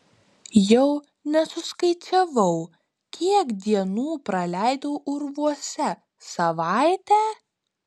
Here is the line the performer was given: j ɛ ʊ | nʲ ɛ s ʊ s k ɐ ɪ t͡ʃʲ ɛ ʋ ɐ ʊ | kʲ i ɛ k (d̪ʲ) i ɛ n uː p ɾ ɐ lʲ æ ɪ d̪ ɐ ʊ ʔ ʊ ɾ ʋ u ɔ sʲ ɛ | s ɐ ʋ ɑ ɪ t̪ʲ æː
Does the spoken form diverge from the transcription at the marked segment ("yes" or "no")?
no